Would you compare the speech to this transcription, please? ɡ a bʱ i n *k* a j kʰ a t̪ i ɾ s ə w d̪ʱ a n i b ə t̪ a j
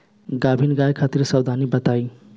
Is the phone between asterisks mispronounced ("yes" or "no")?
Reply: yes